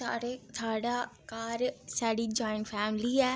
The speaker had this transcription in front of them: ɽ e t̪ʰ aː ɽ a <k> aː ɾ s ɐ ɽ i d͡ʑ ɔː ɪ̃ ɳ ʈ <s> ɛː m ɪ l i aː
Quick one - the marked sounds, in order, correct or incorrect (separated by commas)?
correct, incorrect